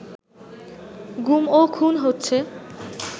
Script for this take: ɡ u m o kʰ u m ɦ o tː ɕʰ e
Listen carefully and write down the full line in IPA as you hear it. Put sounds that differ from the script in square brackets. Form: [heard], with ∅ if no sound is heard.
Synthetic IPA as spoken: ɡ u m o kʰ u [n] ɦ o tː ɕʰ e